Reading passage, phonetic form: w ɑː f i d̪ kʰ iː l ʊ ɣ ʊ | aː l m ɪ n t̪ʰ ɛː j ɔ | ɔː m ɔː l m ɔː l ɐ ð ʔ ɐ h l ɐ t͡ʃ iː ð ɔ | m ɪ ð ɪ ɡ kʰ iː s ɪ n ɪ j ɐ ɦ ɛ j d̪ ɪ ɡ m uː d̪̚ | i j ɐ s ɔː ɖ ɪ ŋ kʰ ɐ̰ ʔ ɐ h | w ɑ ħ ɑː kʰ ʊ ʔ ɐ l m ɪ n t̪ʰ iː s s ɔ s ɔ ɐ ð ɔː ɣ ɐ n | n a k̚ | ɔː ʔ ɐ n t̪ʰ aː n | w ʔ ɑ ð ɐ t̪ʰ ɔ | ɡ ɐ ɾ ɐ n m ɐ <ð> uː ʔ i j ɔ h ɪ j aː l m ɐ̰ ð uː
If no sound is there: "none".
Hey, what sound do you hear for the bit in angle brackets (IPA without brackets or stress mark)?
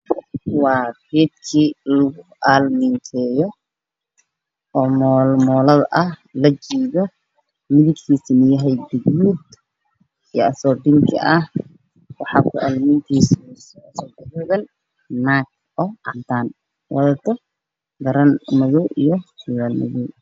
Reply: ð